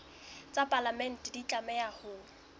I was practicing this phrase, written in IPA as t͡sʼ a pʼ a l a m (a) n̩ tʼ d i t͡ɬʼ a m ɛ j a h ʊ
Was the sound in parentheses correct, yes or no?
no